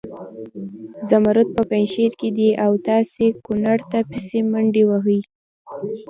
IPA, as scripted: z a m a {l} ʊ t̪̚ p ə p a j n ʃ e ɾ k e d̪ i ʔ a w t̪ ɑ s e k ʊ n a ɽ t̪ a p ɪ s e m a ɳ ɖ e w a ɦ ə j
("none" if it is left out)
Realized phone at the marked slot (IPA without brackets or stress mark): ɾ